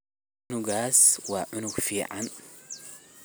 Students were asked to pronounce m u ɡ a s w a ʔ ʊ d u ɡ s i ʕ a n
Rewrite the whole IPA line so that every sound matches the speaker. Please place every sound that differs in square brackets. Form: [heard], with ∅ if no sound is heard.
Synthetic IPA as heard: [n] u ɡ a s w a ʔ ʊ [n] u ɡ [f] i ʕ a n